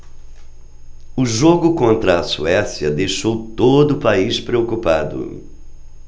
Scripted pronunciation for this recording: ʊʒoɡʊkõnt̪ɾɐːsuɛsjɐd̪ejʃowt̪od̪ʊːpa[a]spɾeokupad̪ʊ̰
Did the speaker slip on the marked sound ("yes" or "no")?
yes